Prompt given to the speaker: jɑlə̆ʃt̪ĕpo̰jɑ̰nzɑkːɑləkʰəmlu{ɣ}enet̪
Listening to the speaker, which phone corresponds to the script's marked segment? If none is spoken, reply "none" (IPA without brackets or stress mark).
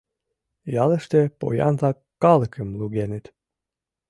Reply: ɣ